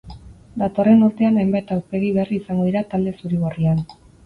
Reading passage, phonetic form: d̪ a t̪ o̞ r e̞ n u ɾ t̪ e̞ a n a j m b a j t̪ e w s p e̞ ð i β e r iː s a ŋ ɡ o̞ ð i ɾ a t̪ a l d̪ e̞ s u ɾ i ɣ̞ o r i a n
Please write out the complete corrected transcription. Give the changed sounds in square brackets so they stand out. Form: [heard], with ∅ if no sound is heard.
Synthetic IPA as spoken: d̪ a t̪ o̞ r e̞ n u ɾ t̪ e̞ a n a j m b a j t̪ [a] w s p e̞ [ɣ] i β e r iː s a ŋ ɡ o̞ ð i ɾ a t̪ a l d̪ e̞ s u ɾ i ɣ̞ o r i a n